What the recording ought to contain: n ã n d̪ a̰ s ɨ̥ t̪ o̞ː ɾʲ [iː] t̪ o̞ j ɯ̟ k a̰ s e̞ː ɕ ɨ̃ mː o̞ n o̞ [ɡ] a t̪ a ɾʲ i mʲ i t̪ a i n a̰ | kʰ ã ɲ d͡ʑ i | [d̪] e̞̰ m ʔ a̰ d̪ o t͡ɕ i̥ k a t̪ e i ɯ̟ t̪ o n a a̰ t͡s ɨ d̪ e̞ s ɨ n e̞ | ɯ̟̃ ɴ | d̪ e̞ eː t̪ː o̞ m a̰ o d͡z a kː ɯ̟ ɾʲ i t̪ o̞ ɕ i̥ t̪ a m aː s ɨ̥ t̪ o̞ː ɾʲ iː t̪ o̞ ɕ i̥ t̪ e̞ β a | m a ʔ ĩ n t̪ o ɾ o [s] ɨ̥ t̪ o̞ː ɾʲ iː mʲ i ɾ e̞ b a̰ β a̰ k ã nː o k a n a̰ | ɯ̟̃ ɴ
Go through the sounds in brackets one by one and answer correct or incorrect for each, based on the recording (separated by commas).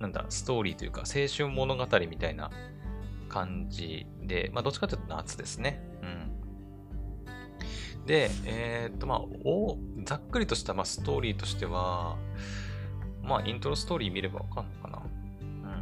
correct, correct, correct, correct